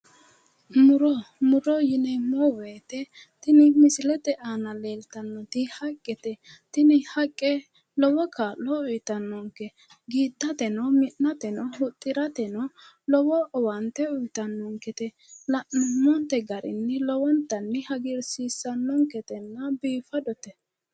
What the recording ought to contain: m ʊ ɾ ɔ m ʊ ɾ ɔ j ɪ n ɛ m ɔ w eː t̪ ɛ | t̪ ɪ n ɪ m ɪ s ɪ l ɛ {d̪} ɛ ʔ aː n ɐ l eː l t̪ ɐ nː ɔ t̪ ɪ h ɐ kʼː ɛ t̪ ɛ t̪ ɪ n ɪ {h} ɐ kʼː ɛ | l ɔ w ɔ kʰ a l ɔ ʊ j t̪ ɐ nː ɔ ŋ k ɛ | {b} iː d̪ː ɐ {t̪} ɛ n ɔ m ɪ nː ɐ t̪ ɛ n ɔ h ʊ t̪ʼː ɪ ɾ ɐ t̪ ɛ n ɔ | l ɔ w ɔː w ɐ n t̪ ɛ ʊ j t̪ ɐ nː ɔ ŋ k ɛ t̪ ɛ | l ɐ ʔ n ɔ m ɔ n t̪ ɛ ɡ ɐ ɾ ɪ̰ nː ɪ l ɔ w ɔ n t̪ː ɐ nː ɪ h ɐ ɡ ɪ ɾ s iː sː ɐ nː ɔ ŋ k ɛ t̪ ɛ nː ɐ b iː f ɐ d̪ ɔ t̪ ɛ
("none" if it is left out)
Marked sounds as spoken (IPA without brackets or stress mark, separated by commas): t̪, h, ɡ, t̪